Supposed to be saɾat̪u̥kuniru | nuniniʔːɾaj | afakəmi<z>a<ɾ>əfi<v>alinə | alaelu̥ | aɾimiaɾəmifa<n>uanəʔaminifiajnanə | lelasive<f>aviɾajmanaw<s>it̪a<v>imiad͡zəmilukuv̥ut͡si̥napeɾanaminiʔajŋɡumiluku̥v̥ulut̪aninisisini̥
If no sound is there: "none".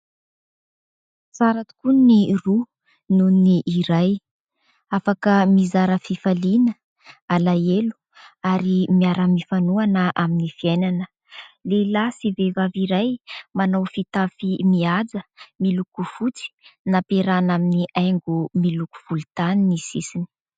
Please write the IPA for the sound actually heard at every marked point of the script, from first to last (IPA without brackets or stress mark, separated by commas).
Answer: z, ɾ, f, n, v, f, f